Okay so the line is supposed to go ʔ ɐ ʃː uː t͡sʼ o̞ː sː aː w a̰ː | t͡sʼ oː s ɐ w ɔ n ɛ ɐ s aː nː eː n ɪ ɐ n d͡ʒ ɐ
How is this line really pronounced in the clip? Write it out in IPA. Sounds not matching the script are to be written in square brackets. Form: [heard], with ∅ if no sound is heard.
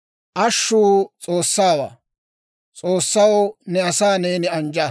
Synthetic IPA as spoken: ʔ ɐ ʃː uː t͡sʼ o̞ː sː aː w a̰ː | t͡sʼ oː [sː] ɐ w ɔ n ɛ ɐ s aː [n] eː n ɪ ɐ n d͡ʒ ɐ